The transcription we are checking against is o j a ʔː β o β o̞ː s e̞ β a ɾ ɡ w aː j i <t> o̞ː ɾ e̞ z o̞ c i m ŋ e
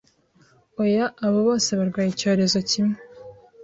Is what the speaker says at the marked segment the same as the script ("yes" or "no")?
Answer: no